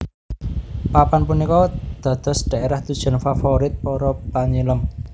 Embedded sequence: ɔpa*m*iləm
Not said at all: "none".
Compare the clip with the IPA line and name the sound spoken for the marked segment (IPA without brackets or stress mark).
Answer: ɲ